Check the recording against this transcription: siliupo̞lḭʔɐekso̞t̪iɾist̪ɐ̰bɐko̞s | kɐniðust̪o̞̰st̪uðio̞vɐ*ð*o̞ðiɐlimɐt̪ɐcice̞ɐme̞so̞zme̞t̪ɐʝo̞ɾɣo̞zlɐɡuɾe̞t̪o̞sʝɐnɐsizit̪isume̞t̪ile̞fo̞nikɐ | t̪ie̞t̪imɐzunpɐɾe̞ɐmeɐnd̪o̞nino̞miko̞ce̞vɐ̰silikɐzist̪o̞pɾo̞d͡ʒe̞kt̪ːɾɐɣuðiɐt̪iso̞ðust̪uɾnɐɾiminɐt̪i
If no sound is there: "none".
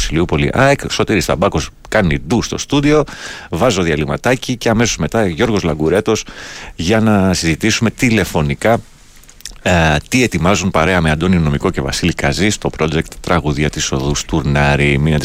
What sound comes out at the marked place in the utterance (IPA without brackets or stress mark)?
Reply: z